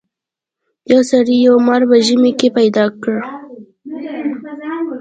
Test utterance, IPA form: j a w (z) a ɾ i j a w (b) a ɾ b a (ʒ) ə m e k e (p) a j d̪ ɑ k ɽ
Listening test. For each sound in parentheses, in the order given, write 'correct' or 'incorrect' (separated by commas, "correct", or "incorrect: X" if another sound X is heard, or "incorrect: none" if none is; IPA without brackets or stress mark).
incorrect: s, incorrect: m, correct, correct